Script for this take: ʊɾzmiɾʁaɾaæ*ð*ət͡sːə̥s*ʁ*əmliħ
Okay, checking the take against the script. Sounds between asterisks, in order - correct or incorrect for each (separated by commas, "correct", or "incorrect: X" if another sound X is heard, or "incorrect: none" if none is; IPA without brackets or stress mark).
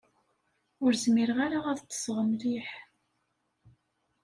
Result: correct, correct